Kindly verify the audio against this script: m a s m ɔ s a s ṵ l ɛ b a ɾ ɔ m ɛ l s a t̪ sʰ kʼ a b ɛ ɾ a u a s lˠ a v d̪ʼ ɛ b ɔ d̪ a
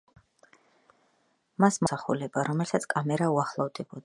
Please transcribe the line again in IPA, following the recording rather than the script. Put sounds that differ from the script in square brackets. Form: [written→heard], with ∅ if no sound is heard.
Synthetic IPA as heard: m a s m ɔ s a [s→χ] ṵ l ɛ b a ɾ ɔ m ɛ l s a t̪ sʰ kʼ a [b→m] ɛ ɾ a u a [s→χ] lˠ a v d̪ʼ ɛ b ɔ d̪ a

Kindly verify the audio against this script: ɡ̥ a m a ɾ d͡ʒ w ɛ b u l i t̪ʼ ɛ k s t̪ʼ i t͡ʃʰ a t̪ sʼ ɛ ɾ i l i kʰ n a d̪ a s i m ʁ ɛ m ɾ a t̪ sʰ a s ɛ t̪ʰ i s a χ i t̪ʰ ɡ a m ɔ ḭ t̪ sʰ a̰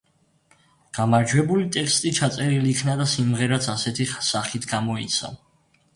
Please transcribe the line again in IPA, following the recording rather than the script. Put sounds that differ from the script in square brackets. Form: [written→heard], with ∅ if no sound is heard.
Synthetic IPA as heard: ɡ̥ a m a ɾ d͡ʒ w ɛ b u l i t̪ʼ ɛ k s t̪ʼ i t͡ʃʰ a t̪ sʼ ɛ ɾ i l i kʰ n a d̪ a s i m ʁ ɛ [m→∅] ɾ a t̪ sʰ a s ɛ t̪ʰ i s a χ i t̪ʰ ɡ a m ɔ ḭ t̪ sʰ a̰

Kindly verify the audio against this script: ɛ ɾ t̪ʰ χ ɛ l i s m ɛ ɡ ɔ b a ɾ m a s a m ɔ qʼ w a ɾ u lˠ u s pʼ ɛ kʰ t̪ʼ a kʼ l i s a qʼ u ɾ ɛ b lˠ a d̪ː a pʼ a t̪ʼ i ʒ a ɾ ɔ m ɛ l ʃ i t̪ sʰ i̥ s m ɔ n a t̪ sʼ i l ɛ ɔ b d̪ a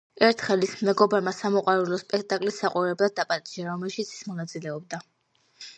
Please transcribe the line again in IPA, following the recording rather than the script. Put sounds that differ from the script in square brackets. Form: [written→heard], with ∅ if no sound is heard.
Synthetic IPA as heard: ɛ ɾ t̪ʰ χ ɛ l i s m ɛ ɡ ɔ b a ɾ m a s a m ɔ qʼ w a ɾ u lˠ [u→ɔ] s pʼ ɛ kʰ t̪ʼ a kʼ l i s a qʼ u ɾ ɛ b lˠ a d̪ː a pʼ a t̪ʼ i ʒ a ɾ ɔ m ɛ l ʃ i t̪ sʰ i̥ s m ɔ n a t̪ sʼ i l ɛ ɔ b d̪ a

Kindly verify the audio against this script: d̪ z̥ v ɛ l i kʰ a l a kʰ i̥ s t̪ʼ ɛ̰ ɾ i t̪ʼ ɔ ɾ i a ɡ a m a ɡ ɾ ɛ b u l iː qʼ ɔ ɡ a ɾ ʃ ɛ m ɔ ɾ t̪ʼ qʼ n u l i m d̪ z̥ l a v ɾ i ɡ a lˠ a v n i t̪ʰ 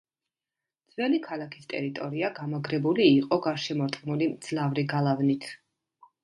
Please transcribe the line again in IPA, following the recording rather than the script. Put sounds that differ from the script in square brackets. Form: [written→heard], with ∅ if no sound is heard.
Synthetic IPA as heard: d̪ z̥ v ɛ l i kʰ a l a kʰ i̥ s t̪ʼ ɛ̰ ɾ i t̪ʼ ɔ ɾ i a ɡ a m a ɡ ɾ ɛ b u l iː qʼ ɔ ɡ a ɾ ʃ ɛ m ɔ ɾ t̪ʼ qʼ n u l i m d̪ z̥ l a v ɾ i ɡ a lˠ a v n i t̪ʰ

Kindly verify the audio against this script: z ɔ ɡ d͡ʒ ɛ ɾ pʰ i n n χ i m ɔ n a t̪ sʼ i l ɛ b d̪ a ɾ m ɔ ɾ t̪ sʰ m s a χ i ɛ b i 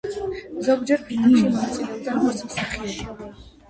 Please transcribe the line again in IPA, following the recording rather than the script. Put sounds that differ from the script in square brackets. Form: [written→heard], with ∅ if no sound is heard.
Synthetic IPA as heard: z ɔ ɡ d͡ʒ ɛ ɾ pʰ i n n [χ→ʃ] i m ɔ n a t̪ sʼ i l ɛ b d̪ a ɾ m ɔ ɾ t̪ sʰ m s a χ i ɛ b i

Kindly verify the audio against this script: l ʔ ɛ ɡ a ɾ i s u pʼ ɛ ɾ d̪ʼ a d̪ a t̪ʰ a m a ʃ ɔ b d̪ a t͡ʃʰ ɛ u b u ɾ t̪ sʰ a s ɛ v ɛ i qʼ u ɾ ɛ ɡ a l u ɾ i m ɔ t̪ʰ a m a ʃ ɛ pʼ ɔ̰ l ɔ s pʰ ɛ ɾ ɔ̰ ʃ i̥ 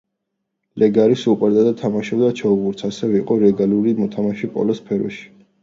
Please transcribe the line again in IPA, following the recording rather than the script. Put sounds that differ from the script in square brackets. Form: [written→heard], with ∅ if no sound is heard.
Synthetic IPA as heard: l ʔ ɛ ɡ a ɾ i s u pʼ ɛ ɾ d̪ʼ a d̪ a t̪ʰ a m a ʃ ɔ b d̪ a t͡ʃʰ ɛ u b u ɾ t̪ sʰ a s ɛ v ɛ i qʼ [u→ɔ] ɾ ɛ ɡ a l u ɾ i m ɔ t̪ʰ a m a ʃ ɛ pʼ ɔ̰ l ɔ s pʰ ɛ ɾ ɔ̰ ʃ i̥

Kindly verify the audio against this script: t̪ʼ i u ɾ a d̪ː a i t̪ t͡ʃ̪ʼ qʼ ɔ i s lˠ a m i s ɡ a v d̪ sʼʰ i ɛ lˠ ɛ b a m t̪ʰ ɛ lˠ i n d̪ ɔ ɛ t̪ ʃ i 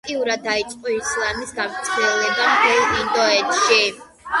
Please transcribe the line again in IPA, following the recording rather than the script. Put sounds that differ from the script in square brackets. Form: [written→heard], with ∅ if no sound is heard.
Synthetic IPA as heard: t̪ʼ i u ɾ a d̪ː a i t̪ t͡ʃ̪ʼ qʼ ɔ i s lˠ a m i s ɡ a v [d̪→t̪] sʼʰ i ɛ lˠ ɛ b a m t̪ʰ ɛ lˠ i n d̪ ɔ ɛ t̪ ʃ i

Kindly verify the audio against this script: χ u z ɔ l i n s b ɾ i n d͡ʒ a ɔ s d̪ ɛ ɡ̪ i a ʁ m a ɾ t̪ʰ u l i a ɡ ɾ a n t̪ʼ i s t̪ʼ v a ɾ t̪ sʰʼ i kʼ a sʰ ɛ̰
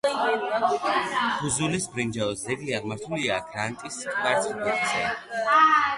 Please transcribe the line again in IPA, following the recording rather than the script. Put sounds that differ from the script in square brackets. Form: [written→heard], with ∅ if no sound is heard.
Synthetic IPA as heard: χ u z [ɔ→u] l i [n→∅] s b ɾ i n d͡ʒ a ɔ s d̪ ɛ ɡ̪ i a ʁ m a ɾ t̪ʰ u l i a ɡ ɾ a n t̪ʼ i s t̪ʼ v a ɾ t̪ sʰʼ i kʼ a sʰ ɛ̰

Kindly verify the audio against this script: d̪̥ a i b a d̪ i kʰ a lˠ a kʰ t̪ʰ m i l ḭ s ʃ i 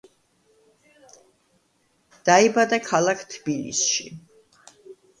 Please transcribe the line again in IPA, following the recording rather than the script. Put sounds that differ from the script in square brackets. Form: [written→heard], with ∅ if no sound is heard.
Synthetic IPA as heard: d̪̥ a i b a d̪ [i→a] kʰ a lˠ a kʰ t̪ʰ [m→b] i l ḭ s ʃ i

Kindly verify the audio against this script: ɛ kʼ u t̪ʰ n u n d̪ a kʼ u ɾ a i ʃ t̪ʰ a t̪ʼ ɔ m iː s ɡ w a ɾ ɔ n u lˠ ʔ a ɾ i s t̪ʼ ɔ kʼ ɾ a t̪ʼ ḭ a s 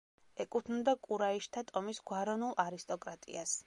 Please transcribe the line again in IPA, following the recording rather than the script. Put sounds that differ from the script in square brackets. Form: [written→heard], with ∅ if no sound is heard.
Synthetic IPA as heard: ɛ kʼ u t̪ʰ n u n d̪ a kʼ u ɾ a i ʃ t̪ʰ a t̪ʼ ɔ m [iː→i] s ɡ w a ɾ ɔ n u lˠ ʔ a ɾ i s t̪ʼ ɔ kʼ ɾ a t̪ʼ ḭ a s

